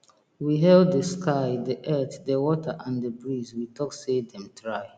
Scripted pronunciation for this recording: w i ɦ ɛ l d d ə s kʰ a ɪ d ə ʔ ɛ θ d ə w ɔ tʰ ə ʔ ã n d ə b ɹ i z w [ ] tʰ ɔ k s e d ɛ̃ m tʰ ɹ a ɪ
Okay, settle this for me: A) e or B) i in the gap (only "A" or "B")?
B